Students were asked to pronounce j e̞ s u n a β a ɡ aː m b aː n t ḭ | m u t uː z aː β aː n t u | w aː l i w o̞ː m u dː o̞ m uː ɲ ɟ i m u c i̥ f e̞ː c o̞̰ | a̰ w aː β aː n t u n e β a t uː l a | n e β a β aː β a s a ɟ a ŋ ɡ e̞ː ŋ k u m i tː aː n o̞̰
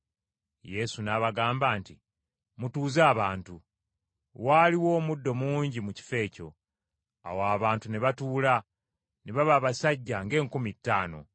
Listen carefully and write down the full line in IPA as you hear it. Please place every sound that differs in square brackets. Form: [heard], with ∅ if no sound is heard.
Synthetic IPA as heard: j e̞ s u n a β a ɡ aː m b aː n t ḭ | m u t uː z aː β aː n t u | w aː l i w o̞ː m u dː o̞ m uː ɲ ɟ i m u c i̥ f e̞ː c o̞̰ | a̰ w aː β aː n t u n e β a t uː l a | n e β a β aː β a s a [ɟː] a ŋ ɡ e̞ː ŋ k u m i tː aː n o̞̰